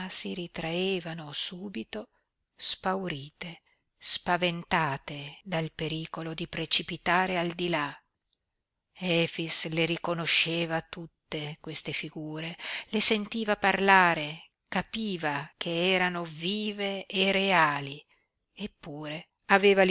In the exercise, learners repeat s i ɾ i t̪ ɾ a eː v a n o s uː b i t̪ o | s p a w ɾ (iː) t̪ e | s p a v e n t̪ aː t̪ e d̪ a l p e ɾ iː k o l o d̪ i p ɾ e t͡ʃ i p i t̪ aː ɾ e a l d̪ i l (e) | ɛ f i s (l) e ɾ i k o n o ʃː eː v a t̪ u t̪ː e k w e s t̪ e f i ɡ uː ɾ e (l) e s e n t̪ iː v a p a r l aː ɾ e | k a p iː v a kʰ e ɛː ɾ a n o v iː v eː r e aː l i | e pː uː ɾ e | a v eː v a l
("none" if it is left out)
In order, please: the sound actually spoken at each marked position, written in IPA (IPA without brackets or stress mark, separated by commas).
iː, a, l, l